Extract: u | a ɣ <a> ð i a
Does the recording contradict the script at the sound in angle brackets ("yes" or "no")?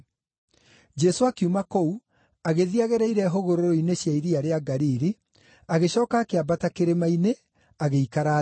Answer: yes